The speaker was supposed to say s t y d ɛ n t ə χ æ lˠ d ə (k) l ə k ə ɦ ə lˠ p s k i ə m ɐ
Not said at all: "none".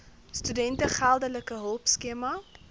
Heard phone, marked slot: none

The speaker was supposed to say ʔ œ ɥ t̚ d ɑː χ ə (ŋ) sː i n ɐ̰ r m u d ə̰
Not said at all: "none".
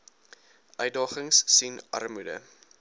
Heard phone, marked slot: ŋ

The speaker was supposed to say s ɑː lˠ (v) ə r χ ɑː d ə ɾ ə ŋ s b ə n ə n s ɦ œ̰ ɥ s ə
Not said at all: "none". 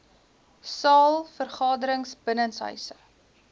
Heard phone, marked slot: f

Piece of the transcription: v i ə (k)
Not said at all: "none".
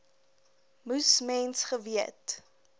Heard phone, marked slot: t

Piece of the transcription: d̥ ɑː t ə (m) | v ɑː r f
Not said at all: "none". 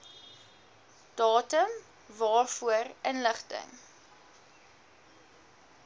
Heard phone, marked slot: m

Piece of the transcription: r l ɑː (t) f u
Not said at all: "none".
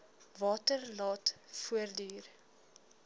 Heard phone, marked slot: t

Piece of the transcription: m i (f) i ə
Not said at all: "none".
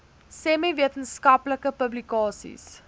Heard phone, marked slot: v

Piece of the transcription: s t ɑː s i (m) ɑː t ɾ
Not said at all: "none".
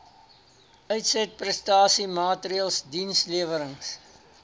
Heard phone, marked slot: m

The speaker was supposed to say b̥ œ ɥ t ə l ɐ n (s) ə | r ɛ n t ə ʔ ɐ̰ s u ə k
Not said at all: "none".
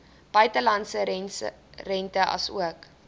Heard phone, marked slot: s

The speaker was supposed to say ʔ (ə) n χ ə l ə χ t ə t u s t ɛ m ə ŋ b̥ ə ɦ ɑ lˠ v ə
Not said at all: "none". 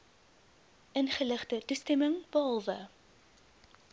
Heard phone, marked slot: ə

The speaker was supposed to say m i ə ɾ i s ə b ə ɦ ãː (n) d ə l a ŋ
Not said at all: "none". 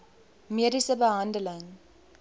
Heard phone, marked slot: n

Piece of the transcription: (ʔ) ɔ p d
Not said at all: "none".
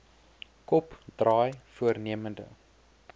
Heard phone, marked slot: k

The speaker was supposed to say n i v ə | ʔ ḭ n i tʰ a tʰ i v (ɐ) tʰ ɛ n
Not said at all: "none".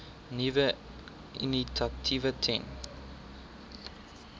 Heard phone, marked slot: ə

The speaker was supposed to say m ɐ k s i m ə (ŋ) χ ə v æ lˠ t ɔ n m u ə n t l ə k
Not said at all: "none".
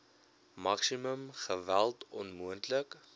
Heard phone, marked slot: m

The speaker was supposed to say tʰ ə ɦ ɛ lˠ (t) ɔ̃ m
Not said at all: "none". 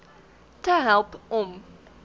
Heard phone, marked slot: p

